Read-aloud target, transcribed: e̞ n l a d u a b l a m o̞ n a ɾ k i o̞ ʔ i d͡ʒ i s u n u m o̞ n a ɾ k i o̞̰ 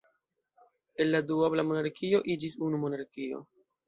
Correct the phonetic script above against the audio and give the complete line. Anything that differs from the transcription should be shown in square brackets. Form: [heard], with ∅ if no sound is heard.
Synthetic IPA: e̞ n l a d u a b l a m o̞ n a ɾ k i o̞ ʔ i d͡ʒ i s u n u m o̞ n a ɾ k i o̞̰